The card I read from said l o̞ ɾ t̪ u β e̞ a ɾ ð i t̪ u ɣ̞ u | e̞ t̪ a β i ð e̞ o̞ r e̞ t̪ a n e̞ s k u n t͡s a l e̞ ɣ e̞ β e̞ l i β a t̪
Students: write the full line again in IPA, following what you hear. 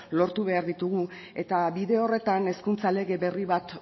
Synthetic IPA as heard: l o̞ ɾ t̪ u β e̞ a ɾ ð i t̪ u ɣ̞ u | e̞ t̪ a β i ð e̞ o̞ r e̞ t̪ a n e̞ s k u n t͡s a l e̞ ɣ e̞ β e̞ r i β a t̪